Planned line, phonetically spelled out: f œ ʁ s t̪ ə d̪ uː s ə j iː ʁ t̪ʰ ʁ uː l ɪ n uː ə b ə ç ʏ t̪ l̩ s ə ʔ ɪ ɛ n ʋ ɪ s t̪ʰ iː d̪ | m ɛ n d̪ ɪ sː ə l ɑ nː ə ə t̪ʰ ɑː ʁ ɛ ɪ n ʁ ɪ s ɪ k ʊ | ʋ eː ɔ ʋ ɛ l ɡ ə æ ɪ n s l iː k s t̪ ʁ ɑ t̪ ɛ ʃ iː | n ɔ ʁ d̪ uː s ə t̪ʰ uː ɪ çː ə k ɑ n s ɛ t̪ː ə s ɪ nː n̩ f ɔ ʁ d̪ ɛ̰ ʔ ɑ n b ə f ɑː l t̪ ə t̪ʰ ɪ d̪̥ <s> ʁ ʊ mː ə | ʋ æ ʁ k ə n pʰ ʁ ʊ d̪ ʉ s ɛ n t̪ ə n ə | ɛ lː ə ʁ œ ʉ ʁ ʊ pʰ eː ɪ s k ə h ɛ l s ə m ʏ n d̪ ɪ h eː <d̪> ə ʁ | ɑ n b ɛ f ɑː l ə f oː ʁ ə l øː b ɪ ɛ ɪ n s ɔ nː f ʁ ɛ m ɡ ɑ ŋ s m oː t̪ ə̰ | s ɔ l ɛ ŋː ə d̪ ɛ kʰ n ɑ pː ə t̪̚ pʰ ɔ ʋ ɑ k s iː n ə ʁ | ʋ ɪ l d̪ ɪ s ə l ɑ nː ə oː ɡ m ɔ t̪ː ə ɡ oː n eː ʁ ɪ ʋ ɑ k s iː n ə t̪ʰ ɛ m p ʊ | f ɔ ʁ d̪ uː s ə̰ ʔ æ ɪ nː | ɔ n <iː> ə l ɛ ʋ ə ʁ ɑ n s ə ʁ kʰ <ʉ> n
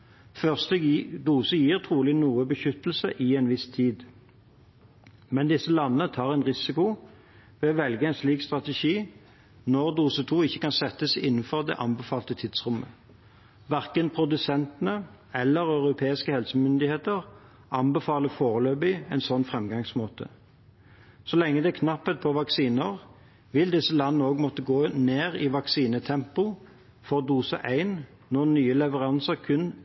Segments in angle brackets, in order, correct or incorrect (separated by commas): correct, incorrect, incorrect, correct